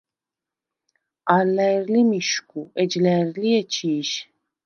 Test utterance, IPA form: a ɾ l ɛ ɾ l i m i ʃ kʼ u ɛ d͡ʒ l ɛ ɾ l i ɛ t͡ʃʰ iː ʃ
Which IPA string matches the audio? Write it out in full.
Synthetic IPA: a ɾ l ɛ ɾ l i m i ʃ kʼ u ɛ d͡ʒ l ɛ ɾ l i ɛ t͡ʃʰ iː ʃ